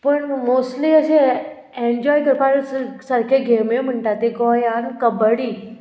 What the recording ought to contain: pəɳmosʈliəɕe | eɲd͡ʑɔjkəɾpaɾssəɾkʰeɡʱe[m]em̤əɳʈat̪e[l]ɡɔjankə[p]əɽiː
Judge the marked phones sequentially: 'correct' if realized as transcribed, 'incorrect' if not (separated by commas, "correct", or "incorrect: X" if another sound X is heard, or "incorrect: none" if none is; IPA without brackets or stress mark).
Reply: correct, incorrect: none, incorrect: b